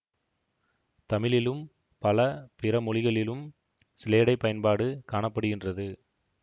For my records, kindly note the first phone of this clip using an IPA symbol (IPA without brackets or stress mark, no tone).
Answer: t̪